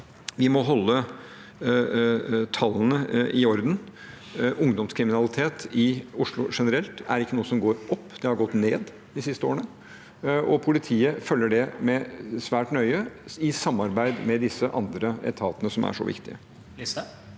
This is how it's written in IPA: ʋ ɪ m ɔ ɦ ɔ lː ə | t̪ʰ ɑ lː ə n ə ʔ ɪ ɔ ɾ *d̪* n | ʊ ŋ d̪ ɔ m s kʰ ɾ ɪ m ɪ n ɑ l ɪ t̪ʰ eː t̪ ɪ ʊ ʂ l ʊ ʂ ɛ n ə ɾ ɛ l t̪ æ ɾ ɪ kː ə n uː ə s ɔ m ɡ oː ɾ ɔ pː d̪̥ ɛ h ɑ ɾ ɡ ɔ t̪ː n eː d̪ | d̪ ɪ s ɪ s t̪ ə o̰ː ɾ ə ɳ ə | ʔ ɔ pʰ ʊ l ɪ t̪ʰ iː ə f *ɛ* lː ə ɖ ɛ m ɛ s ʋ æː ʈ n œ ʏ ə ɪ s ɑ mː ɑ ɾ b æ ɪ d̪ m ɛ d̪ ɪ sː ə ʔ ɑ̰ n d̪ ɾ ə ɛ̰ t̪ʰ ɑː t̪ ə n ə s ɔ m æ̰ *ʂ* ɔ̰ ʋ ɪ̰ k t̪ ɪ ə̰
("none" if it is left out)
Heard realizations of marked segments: d̪, œ, ʂ

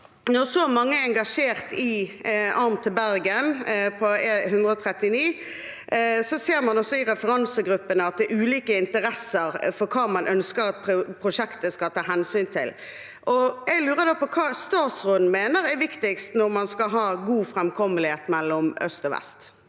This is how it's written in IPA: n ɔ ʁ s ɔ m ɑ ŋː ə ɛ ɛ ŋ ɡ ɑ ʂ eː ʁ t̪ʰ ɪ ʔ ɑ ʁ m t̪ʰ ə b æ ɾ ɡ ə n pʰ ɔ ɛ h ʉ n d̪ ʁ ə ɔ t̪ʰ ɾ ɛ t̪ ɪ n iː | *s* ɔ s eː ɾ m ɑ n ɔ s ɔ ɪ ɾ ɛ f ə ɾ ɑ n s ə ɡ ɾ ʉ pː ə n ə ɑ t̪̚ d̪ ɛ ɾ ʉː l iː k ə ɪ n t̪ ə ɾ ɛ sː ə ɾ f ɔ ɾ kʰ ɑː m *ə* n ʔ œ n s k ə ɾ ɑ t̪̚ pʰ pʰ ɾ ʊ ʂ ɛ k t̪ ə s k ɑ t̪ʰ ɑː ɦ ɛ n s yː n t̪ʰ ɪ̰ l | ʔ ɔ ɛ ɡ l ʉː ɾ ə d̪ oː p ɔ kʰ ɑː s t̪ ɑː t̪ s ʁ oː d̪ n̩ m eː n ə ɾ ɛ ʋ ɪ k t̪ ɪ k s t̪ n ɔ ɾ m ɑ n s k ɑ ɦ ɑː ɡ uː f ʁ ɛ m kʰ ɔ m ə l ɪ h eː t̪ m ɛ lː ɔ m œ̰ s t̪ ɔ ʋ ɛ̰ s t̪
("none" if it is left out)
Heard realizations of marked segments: s, ɑ

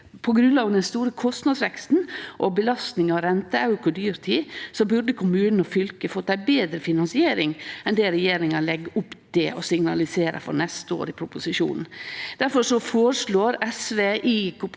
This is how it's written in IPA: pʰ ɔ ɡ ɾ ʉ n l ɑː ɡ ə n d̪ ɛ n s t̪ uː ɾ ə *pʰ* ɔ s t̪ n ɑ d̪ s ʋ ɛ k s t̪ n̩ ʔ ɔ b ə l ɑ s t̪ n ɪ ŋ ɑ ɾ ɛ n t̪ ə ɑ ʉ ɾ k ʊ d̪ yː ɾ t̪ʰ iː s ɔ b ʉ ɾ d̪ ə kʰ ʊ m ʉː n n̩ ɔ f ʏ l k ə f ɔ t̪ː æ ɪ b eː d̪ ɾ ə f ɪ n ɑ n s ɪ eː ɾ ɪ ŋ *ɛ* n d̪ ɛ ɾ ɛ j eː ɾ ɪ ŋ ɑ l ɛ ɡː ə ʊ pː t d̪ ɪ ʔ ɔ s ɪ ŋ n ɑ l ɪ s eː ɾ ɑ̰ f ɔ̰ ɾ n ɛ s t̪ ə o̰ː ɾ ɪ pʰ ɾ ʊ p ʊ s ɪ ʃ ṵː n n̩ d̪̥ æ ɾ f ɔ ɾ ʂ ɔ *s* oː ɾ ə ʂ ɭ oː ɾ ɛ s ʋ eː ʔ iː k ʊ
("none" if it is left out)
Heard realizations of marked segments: kʰ, ɛ, f

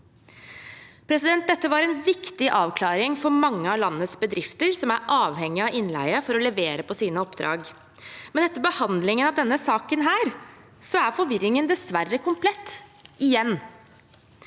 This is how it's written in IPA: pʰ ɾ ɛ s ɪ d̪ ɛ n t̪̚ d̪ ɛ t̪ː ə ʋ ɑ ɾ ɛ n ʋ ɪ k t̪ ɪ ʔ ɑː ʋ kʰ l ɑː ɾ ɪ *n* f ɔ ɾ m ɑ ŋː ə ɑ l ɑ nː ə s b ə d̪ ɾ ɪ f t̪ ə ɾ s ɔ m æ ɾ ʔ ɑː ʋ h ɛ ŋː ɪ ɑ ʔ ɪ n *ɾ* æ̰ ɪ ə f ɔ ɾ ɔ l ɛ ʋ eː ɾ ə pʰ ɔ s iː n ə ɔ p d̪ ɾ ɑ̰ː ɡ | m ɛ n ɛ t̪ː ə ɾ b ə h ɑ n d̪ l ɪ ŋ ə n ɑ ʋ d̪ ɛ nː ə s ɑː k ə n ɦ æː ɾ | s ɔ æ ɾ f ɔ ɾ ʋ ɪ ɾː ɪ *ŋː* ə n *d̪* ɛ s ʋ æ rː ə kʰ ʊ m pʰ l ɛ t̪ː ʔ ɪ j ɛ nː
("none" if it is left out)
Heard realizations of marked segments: ŋ, l, ŋ, d̪

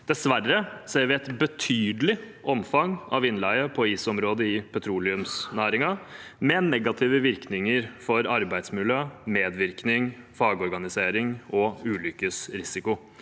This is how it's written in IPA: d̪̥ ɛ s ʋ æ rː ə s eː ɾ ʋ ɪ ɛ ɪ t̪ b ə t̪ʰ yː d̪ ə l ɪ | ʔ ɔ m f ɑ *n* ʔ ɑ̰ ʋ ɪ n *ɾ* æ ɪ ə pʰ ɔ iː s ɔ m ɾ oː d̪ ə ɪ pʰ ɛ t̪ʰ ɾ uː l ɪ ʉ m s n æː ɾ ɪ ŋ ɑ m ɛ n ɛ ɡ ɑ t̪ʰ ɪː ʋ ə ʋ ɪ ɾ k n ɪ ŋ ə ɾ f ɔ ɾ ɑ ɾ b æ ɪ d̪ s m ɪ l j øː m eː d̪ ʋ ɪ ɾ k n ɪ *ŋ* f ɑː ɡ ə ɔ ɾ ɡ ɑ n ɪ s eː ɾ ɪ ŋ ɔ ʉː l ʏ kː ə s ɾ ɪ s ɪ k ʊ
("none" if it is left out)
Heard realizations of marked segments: ŋ, l, ŋ

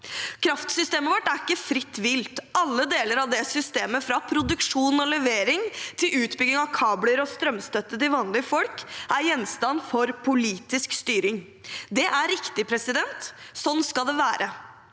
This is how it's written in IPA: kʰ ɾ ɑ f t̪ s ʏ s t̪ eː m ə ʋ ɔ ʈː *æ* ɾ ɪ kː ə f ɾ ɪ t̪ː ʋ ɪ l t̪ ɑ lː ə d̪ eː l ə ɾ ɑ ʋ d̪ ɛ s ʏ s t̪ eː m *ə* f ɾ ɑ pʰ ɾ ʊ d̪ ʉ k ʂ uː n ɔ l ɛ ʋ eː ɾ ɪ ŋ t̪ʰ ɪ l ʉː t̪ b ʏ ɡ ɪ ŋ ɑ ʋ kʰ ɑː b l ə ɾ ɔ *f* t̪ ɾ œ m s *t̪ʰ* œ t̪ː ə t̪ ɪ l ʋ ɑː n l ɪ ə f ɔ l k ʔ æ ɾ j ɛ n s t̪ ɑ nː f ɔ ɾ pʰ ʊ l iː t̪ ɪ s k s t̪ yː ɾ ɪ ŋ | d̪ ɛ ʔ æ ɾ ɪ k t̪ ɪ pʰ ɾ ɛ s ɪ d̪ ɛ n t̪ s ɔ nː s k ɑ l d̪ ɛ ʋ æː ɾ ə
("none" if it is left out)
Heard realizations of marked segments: æ, ə, s, t̪

